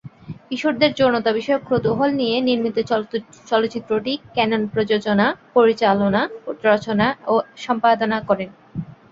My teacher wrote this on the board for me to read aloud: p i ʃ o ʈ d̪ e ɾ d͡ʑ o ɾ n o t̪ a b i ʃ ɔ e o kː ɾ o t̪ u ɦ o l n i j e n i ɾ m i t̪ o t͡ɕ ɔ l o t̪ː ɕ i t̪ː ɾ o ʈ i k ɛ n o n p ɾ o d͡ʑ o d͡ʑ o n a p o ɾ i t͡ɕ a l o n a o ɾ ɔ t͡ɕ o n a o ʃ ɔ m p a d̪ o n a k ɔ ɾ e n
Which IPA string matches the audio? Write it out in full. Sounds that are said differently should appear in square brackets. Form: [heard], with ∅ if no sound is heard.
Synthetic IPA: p i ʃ o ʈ d̪ e ɾ d͡ʑ o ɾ n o t̪ a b i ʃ ɔ e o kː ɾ o t̪ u ɦ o l n i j e n i ɾ m i t̪ o t͡ɕ ɔ l o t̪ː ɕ i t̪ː ɾ o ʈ i k ɛ n o n p ɾ o d͡ʑ o d͡ʑ o n a p o ɾ i t͡ɕ a l o n a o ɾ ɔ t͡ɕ o n a o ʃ ɔ m p a d̪ o n a k ɔ ɾ e n